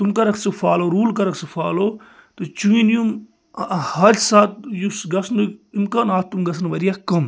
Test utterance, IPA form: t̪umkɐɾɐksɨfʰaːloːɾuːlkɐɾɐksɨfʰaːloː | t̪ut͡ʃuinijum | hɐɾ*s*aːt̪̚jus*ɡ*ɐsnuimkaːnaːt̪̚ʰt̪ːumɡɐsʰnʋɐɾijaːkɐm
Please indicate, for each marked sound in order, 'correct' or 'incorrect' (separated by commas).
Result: correct, correct